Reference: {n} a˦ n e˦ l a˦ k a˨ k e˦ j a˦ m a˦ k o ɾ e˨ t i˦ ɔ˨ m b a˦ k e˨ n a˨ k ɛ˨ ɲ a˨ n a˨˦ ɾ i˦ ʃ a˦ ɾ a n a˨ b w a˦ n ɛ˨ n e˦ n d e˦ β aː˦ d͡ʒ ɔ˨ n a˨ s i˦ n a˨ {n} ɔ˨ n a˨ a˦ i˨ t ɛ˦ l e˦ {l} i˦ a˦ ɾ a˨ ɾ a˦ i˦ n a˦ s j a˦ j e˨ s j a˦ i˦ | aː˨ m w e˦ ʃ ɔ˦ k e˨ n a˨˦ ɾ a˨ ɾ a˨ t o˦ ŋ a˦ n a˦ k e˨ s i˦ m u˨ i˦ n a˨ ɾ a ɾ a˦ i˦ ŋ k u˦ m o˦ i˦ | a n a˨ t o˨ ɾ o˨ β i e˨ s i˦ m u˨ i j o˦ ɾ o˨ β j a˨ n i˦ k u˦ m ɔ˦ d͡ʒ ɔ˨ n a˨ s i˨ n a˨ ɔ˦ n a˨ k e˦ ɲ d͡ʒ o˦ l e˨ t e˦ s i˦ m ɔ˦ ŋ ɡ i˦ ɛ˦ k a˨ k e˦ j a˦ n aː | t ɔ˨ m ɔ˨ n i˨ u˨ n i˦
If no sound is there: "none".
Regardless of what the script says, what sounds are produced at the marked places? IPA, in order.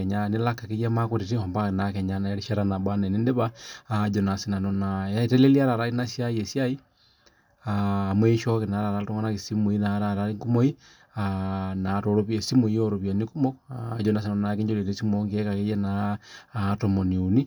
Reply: ɲ, n, l

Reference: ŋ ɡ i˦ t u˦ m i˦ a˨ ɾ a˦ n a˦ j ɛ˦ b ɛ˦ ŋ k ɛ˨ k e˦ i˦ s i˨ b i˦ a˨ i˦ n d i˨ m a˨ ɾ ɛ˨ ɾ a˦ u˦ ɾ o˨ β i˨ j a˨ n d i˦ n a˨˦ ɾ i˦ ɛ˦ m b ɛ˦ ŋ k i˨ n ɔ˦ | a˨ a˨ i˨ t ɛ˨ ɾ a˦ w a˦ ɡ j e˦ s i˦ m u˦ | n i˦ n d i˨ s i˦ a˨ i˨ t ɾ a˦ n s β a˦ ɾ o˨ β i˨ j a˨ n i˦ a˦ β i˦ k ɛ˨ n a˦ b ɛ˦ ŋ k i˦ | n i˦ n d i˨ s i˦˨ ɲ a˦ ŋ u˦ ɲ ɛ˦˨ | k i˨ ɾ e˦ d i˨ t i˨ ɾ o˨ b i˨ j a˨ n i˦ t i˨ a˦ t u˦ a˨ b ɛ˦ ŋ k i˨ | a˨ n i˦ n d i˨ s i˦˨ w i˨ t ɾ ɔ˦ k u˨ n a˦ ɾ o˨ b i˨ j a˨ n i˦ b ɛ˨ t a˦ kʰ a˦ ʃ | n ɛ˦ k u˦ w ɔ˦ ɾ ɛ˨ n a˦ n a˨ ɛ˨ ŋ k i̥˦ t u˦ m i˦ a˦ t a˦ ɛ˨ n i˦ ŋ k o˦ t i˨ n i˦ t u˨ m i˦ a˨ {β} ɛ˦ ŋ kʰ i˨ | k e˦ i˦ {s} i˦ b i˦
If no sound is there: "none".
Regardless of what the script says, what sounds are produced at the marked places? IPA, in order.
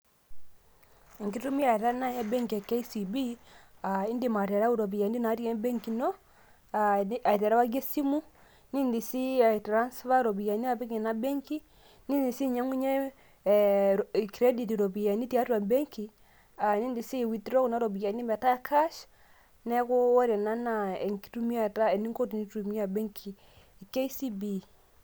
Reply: b, s

